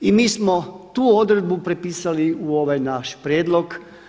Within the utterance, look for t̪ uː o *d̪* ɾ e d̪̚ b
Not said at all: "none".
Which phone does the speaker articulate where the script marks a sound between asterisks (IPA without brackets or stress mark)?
d̪